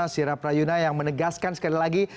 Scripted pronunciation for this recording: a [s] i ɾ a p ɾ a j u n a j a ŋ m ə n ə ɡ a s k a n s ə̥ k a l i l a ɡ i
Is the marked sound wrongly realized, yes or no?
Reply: no